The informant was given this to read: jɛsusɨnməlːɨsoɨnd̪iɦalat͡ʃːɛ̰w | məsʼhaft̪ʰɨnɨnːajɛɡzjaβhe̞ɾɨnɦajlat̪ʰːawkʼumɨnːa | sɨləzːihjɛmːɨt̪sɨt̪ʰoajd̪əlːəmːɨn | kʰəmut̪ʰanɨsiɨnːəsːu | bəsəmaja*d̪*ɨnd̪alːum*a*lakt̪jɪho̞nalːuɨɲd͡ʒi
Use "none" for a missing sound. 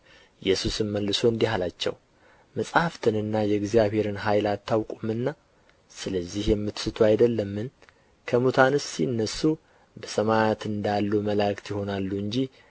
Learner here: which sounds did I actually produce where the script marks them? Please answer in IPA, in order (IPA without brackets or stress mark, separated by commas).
t̪, ə